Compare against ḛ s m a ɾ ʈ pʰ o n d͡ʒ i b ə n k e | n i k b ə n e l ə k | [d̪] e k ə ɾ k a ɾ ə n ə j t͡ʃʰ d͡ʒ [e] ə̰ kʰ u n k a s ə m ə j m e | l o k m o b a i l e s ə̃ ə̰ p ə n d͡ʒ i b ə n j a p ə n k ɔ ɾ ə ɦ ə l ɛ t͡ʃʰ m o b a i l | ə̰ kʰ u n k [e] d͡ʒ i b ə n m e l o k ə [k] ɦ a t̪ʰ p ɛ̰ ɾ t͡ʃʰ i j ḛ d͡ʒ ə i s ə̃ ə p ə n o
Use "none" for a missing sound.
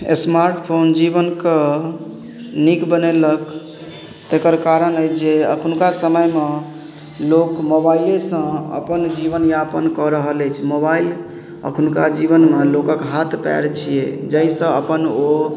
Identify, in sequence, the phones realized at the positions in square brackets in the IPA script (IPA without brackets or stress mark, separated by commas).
t̪, e, a, k